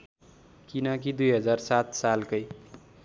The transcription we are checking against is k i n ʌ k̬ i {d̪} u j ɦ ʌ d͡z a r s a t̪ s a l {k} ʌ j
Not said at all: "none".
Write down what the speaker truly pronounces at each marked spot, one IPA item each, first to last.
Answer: d̪, k

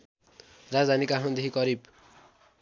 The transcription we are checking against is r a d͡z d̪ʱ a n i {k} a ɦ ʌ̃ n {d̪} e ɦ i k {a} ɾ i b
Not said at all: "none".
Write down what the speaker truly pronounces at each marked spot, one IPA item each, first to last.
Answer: k, d̪, ʌ

